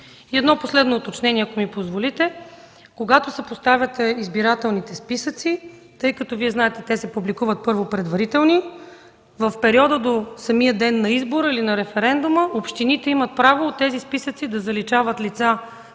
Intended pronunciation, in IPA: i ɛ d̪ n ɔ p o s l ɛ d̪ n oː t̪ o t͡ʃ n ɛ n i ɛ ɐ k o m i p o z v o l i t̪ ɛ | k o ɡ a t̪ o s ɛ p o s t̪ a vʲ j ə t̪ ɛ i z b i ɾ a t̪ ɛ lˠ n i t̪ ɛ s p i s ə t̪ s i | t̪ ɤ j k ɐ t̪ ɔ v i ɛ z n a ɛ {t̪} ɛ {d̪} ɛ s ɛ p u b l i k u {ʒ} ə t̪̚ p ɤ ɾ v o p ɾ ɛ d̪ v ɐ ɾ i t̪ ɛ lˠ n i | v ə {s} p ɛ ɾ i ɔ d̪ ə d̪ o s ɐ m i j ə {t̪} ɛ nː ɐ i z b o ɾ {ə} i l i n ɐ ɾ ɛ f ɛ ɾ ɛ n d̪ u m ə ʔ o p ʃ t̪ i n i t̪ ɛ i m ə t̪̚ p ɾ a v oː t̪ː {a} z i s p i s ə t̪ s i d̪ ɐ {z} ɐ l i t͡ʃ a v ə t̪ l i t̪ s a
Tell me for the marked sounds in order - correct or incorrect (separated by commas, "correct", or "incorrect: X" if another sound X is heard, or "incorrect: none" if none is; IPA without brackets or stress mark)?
correct, incorrect: t̪, incorrect: v, incorrect: f, incorrect: d̪, correct, incorrect: ɛ, correct